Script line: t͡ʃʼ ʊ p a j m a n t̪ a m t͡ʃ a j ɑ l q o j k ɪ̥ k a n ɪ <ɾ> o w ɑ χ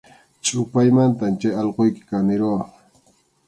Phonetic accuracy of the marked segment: correct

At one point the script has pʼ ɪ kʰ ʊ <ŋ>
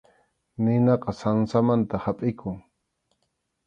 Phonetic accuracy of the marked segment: correct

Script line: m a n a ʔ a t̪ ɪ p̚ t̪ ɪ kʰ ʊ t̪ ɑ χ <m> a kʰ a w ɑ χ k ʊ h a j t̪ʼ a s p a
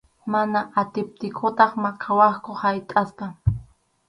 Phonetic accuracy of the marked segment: correct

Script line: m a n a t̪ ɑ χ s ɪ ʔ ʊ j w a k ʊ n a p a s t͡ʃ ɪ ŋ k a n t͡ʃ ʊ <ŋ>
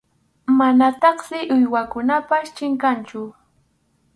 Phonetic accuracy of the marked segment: incorrect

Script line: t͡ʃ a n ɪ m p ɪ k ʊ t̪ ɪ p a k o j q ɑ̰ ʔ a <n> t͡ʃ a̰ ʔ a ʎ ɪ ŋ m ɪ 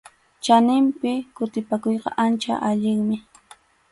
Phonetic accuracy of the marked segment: correct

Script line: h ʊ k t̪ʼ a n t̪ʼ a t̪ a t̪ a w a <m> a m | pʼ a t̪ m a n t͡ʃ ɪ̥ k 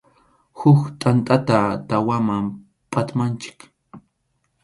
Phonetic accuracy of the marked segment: correct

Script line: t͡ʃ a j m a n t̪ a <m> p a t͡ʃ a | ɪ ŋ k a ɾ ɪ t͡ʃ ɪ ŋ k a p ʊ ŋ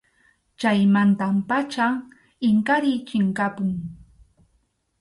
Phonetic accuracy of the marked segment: correct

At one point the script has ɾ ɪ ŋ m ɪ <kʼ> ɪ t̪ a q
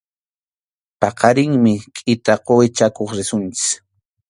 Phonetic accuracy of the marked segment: correct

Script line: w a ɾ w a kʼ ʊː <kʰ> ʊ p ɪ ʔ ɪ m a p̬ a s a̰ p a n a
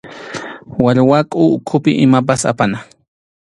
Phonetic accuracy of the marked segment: correct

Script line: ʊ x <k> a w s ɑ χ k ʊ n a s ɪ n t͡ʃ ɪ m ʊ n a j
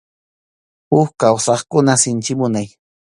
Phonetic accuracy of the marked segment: correct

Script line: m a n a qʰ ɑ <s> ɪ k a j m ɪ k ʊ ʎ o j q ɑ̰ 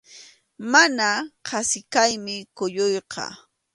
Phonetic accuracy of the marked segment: correct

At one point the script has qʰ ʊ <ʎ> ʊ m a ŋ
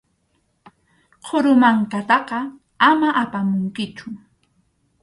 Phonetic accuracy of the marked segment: incorrect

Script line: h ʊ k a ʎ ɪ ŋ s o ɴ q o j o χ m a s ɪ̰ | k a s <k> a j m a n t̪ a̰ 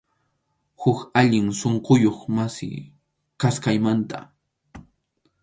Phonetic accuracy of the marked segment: correct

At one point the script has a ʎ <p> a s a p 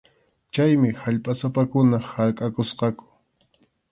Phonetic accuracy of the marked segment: incorrect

